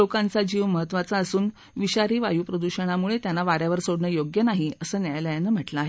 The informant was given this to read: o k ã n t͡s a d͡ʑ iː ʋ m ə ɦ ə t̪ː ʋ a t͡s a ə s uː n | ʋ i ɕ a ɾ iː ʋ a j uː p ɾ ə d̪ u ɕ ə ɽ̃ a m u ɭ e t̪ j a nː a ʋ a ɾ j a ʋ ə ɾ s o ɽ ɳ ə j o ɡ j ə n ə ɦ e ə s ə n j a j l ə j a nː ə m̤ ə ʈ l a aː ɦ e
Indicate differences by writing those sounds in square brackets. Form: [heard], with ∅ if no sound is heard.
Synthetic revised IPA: o k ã n t͡s a d͡ʑ iː ʋ m ə ɦ ə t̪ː ʋ a t͡s a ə s uː n | ʋ i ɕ a ɾ iː ʋ a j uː p ɾ ə d̪ u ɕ ə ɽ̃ a m u ɭ e t̪ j a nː a ʋ a ɾ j a ʋ ə ɾ s o ɽ ɳ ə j o ɡ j ə n [a] ɦ [i] ə s [əː] n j a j l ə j a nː ə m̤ ə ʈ l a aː ɦ e